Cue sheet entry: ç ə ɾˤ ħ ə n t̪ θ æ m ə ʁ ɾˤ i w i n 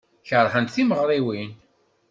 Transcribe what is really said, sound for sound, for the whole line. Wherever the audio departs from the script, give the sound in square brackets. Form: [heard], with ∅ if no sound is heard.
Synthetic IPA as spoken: ç ə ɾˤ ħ ə n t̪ θ [i] m ə ʁ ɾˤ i w i n